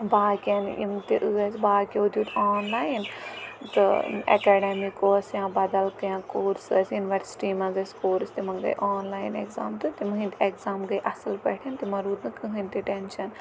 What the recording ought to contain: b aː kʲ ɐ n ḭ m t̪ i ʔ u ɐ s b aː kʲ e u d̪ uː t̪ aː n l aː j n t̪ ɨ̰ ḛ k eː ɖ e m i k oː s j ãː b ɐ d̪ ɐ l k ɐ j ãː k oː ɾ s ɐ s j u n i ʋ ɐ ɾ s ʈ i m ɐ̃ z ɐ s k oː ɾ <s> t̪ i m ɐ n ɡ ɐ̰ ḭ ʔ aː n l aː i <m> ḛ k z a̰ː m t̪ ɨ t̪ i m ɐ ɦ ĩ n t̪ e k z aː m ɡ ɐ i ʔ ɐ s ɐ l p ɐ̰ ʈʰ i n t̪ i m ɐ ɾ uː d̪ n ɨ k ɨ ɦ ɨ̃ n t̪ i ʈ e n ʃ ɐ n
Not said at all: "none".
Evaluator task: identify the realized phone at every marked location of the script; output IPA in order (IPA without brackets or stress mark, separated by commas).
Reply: s, n